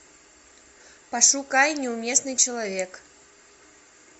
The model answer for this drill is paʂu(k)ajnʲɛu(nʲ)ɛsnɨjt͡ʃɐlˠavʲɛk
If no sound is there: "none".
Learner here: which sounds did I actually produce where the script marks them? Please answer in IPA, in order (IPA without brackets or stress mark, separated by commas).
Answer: k, mʲ